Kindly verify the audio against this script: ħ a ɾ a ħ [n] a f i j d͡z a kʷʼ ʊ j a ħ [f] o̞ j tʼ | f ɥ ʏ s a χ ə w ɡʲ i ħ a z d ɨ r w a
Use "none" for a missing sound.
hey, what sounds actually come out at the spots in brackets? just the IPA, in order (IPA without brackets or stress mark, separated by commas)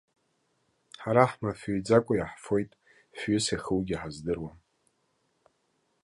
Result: m, f